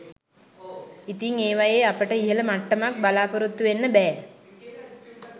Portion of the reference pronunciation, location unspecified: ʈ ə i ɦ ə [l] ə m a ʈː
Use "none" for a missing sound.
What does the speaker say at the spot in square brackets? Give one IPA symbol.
l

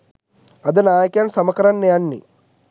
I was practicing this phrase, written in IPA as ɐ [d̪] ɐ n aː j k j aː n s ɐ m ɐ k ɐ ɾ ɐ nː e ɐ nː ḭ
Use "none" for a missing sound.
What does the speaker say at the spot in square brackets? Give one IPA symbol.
d̪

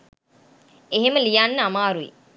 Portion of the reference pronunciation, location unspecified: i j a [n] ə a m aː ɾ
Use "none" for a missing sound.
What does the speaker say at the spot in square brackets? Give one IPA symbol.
nː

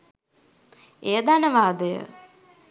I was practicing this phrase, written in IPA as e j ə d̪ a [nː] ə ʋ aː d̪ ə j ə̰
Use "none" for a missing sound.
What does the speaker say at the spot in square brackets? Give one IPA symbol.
n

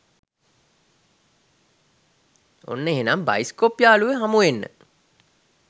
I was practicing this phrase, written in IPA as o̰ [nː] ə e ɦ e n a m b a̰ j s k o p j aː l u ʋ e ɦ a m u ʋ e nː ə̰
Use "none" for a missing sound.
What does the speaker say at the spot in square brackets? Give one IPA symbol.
nː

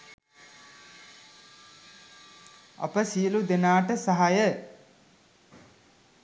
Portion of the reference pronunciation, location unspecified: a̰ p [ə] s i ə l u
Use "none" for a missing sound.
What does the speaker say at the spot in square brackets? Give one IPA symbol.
ə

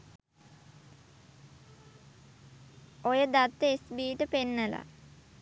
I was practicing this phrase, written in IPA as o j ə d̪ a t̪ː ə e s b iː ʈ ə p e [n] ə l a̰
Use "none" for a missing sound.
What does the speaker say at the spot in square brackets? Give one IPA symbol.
nː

